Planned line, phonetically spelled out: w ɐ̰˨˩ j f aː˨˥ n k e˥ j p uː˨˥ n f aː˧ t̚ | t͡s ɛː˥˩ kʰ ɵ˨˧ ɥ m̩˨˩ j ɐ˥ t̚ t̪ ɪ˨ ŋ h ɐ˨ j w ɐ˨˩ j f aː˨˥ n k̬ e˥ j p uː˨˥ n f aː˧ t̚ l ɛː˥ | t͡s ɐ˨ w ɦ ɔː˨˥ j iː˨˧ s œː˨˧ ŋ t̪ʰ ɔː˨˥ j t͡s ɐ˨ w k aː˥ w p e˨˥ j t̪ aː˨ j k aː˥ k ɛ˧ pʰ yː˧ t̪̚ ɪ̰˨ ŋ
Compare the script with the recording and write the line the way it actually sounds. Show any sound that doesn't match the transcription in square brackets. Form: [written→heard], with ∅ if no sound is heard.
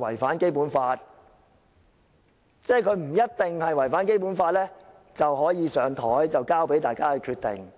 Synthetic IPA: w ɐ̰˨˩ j f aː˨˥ n k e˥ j p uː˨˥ n f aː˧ t̚ | t͡s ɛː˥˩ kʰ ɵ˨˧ ɥ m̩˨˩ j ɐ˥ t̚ t̪ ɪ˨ ŋ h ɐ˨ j w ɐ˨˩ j f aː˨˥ n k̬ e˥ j p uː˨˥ n f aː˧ t̚ l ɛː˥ | t͡s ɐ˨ w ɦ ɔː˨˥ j iː˨˧ s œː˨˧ ŋ t̪ʰ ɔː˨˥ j t͡s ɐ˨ w k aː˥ w p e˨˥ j t̪ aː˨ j k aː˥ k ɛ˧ [pʰ→kʰ] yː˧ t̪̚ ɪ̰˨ ŋ